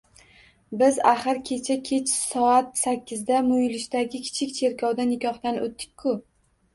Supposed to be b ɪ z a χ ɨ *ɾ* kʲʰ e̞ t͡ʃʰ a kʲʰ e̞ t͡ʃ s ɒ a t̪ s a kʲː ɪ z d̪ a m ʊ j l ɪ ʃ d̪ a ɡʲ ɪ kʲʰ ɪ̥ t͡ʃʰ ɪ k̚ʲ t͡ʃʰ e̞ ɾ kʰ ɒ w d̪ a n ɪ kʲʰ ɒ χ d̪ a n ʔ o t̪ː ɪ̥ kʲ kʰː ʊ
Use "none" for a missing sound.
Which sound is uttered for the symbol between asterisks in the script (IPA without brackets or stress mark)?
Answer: ɾ